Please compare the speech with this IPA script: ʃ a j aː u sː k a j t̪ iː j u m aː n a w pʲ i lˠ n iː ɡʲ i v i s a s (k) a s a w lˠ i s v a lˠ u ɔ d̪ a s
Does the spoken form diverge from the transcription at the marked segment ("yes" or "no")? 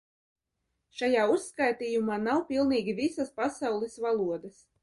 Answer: yes